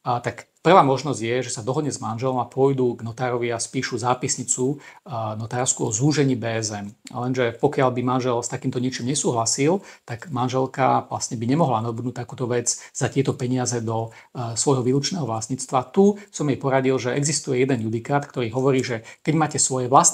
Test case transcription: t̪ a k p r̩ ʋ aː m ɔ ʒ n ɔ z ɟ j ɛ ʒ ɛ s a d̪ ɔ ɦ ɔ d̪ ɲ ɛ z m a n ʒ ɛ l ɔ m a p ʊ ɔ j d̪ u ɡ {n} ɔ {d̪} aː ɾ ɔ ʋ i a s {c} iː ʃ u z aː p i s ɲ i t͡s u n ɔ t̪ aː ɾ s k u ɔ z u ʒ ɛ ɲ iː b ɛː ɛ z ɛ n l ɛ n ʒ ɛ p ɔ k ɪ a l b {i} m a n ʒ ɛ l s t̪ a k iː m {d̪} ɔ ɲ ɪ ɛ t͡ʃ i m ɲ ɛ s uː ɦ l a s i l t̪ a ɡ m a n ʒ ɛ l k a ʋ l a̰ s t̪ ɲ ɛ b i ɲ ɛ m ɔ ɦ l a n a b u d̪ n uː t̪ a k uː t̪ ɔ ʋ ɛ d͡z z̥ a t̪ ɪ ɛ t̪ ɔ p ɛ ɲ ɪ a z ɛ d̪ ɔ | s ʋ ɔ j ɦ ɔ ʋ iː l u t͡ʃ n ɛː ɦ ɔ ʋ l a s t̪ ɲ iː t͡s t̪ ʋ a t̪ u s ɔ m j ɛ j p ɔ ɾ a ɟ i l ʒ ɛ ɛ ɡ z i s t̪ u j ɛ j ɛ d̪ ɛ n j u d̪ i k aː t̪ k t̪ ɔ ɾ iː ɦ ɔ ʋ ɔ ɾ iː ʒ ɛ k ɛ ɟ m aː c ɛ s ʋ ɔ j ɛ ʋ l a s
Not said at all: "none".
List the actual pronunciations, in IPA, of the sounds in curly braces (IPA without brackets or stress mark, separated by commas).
n, t̪, p, i, t̪